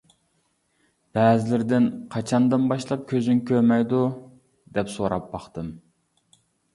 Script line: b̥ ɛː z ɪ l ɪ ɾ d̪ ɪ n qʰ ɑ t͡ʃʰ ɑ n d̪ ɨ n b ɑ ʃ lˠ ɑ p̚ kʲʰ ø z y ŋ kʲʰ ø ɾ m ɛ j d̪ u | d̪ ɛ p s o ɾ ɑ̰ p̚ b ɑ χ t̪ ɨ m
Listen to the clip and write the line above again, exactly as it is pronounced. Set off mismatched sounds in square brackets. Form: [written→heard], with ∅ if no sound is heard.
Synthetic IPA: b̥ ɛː z ɪ l ɪ ɾ d̪ ɪ n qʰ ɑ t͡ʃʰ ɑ n d̪ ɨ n b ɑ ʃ lˠ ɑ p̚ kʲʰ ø z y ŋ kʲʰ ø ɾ m ɛ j d̪ u | d̪ ɛ p s o ɾ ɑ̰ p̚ b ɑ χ t̪ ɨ m